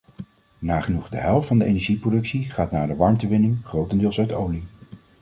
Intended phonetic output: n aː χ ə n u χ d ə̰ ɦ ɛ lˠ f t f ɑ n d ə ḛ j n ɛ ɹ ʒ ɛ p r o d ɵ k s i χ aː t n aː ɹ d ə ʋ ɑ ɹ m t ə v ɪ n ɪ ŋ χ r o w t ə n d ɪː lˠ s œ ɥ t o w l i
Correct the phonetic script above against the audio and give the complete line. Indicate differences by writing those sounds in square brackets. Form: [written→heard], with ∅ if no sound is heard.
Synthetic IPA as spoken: n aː χ ə n u χ d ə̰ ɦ ɛ lˠ f t f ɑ n d ə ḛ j n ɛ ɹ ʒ [ɛ→i] p r o d ɵ k s i χ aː t n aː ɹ d ə ʋ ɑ ɹ m t ə [v→ʋ] ɪ n ɪ ŋ χ r o w t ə n d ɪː lˠ s œ ɥ t o w l i